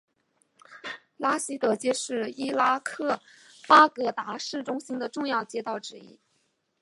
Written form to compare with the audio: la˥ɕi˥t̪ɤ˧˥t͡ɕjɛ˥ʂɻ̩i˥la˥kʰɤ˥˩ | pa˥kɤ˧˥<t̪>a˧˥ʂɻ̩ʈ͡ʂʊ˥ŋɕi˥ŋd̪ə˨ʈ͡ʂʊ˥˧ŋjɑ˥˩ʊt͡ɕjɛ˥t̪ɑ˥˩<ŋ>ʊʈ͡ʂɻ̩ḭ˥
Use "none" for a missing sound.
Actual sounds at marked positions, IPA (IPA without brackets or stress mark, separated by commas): t̪, none